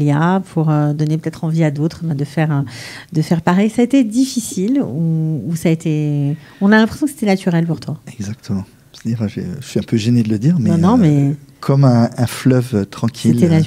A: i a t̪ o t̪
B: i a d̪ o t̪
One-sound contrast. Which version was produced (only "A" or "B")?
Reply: B